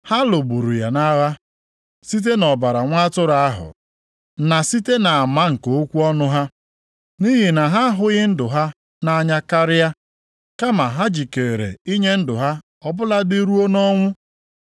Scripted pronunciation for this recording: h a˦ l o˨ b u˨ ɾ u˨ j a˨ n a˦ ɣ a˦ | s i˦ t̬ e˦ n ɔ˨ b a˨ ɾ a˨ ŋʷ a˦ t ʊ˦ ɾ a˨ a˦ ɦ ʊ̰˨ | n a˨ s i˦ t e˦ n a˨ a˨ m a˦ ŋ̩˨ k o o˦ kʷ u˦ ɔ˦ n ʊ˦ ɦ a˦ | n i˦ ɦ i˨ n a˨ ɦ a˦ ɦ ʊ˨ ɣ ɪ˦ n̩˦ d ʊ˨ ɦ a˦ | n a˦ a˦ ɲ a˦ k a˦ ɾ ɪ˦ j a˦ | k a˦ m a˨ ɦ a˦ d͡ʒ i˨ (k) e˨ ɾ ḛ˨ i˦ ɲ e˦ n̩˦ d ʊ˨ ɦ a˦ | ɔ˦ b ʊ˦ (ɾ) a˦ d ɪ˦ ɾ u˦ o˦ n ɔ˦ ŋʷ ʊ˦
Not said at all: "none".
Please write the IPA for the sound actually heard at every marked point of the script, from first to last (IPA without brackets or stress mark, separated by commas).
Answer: k, l